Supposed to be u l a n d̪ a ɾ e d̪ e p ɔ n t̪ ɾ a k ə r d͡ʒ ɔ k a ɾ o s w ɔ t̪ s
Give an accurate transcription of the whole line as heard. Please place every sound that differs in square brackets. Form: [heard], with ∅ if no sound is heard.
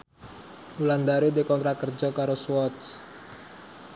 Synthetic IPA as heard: u l a n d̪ a ɾ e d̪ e [k] ɔ n t̪ ɾ a k ə r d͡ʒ ɔ k a ɾ o s w ɔ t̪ s